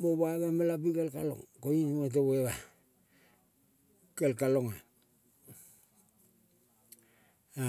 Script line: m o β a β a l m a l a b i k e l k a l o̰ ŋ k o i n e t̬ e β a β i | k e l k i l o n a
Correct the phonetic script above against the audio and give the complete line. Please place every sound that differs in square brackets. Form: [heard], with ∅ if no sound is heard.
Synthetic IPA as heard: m o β a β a [∅] m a l a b i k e l k a l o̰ ŋ k o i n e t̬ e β [e] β [a] | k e l k [a] l o [ŋ] a